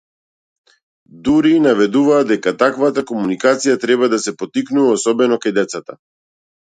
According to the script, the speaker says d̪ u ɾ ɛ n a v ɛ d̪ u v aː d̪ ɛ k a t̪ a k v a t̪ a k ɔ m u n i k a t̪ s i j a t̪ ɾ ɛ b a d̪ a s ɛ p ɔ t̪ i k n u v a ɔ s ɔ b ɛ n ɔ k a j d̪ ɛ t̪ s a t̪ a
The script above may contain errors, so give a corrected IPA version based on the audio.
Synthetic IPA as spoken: d̪ u ɾ i n a v ɛ d̪ u v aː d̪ ɛ k a t̪ a k v a t̪ a k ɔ m u n i k a t̪ s i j a t̪ ɾ ɛ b a d̪ a s ɛ p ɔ t̪ i k n u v a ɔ s ɔ b ɛ n ɔ k a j d̪ ɛ t̪ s a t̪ a